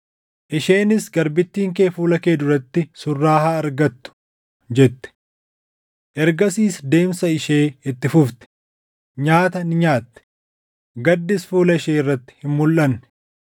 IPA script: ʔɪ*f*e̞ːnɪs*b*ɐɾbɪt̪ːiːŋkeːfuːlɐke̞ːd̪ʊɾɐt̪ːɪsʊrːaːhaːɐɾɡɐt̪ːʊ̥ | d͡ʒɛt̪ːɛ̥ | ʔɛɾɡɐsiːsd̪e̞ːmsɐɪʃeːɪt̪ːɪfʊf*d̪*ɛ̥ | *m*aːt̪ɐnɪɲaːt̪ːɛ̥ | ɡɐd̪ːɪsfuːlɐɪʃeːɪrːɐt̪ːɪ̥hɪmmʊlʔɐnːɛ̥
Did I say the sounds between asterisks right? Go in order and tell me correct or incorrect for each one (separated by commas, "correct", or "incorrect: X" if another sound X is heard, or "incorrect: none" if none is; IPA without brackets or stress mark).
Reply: incorrect: ʃ, incorrect: ɡ, incorrect: t̪, incorrect: ɲ